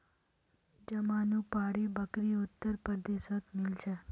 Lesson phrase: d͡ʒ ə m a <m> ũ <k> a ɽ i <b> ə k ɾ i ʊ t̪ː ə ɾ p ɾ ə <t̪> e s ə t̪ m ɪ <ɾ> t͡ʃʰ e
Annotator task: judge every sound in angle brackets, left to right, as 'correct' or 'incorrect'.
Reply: incorrect: n, incorrect: p, correct, incorrect: d̪, incorrect: l

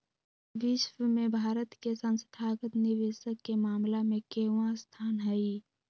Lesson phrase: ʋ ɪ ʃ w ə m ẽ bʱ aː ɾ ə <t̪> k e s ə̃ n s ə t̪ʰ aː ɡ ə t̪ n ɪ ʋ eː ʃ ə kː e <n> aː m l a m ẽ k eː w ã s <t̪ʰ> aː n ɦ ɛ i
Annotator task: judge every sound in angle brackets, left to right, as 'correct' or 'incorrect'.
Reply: correct, incorrect: m, correct

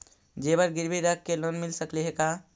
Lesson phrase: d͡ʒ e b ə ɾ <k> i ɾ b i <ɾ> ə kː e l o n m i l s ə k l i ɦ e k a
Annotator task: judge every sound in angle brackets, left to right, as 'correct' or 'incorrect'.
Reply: incorrect: ɡ, correct

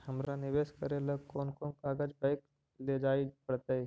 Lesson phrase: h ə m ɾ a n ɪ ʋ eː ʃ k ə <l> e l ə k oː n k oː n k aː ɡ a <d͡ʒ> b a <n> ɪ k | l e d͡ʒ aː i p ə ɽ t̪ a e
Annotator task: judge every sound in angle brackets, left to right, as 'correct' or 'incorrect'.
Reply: incorrect: ɾ, correct, incorrect: none

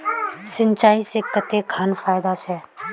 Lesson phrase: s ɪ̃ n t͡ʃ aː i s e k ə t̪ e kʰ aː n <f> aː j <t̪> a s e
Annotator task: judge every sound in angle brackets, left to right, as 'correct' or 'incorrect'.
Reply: correct, incorrect: d̪

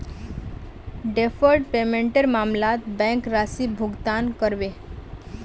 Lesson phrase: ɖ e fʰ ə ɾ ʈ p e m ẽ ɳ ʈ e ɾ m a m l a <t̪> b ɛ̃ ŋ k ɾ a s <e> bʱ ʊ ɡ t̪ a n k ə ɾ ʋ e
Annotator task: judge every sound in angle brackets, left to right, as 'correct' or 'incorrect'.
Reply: correct, incorrect: i

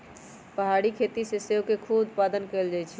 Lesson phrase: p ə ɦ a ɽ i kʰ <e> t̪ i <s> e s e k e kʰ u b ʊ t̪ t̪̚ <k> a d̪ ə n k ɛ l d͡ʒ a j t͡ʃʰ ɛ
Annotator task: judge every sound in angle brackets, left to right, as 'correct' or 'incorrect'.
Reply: correct, correct, incorrect: p

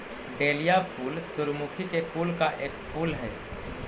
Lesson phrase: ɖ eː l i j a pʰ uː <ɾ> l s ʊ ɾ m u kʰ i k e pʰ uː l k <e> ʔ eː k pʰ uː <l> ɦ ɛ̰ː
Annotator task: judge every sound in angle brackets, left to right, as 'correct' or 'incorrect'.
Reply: incorrect: none, incorrect: a, correct

